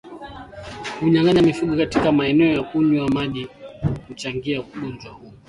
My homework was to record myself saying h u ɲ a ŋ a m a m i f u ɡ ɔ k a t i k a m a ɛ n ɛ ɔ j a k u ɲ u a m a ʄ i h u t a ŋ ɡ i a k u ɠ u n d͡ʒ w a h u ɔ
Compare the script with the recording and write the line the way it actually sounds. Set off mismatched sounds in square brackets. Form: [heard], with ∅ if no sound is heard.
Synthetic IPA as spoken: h u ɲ a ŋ a [ɲ] a m i f u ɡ ɔ k a t i k a m a ɛ n ɛ ɔ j a k u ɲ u a m a ʄ i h u [t͡ʃ] a ŋ ɡ i a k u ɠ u n d͡ʒ w a h u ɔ